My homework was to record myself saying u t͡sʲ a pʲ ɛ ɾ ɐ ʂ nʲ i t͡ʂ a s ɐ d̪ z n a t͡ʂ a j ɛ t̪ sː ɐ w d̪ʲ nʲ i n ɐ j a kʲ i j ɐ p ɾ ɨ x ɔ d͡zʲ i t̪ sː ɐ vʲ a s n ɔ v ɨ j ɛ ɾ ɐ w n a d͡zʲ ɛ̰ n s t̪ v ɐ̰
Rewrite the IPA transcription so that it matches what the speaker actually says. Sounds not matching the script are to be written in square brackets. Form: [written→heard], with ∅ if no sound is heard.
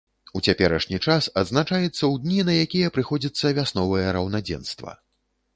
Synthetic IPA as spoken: u t͡sʲ a pʲ ɛ ɾ ɐ ʂ nʲ i t͡ʂ a s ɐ d̪ z n a t͡ʂ a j ɛ t̪ sː ɐ w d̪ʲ nʲ i n ɐ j a kʲ i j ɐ p ɾ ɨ x ɔ d͡zʲ i t̪ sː ɐ vʲ a s n ɔ v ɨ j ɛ ɾ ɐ w n a d͡zʲ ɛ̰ n s t̪ v ɐ̰